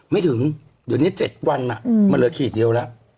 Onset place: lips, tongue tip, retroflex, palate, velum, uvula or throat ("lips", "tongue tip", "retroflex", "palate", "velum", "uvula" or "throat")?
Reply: lips